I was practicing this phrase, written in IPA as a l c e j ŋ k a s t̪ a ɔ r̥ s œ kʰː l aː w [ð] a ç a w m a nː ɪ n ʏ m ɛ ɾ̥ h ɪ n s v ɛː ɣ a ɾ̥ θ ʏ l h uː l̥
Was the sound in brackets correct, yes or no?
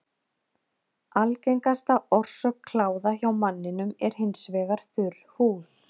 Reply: yes